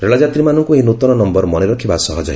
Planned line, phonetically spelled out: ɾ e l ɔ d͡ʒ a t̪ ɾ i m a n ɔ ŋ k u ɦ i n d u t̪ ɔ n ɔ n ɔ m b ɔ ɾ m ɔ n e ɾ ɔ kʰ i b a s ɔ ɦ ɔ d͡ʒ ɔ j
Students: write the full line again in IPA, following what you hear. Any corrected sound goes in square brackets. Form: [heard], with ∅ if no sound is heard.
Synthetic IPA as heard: ɾ e [ɭ] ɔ d͡ʒ a t̪ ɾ i m a n ɔ ŋ k u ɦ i n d u t̪ ɔ n ɔ n ɔ m b ɔ ɾ m ɔ n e ɾ ɔ kʰ i b a s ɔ ɦ ɔ d͡ʒ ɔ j